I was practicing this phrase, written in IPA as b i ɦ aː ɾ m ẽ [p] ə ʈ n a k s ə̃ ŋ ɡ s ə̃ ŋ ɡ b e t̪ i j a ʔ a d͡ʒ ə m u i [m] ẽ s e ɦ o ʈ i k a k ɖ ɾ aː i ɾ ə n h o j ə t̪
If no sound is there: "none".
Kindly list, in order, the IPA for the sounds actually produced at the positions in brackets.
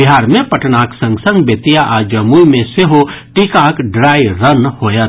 p, m

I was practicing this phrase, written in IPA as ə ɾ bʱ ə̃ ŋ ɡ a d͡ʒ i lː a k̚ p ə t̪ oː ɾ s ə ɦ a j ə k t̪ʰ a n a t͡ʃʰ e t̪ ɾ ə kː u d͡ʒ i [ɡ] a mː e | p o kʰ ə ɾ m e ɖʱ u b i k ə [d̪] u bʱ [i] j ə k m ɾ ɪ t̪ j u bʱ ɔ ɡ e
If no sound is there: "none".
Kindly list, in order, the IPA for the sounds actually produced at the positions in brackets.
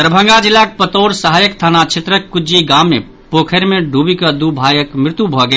ɡ, d̪, a

